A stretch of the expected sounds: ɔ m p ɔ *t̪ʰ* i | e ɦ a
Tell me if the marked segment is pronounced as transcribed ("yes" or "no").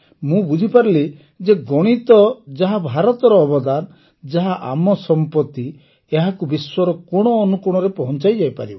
no